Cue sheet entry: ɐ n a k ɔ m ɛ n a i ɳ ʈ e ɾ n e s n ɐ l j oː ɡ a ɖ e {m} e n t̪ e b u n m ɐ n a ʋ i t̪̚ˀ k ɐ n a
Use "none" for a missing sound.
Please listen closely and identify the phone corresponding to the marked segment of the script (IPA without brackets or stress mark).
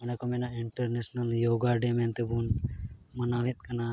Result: m